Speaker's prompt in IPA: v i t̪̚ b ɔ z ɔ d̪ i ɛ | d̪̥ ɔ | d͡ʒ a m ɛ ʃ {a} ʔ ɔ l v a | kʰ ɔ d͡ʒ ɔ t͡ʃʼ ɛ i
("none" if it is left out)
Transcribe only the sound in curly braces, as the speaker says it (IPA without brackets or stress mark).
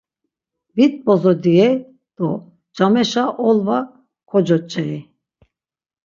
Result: a